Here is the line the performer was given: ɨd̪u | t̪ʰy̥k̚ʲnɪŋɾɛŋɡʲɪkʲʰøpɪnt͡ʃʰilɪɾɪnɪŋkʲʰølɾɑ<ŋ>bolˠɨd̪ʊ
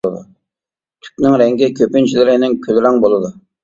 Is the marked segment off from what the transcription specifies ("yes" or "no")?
no